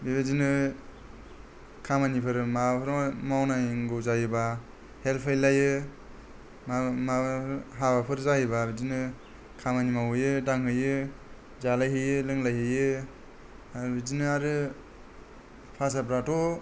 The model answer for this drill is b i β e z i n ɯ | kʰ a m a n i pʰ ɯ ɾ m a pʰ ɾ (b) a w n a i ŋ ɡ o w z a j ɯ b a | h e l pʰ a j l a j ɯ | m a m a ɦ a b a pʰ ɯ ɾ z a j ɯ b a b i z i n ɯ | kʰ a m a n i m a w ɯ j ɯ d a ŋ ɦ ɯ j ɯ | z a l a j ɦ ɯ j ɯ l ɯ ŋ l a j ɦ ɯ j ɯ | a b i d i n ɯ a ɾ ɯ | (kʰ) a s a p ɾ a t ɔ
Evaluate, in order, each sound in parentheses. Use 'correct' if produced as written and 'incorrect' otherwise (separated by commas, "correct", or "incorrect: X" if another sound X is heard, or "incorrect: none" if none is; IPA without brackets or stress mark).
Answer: incorrect: m, incorrect: pʰ